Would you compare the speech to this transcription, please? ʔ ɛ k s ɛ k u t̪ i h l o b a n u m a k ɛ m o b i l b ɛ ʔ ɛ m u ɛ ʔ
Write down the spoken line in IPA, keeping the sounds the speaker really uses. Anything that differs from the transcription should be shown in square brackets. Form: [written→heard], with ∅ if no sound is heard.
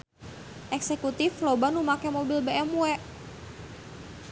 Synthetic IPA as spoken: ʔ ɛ k s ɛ k u t̪ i [h→f] l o b a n u m a k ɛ m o b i l b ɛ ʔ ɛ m u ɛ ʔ